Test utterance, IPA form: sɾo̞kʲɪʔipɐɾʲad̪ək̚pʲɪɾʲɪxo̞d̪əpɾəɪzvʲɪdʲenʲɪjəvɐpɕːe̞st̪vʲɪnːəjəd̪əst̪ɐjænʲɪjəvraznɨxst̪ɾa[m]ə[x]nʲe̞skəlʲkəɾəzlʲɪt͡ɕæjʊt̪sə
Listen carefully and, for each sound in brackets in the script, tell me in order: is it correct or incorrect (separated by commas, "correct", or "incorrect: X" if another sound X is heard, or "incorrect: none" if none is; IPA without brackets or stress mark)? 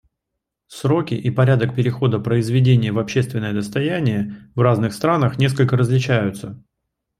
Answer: incorrect: n, correct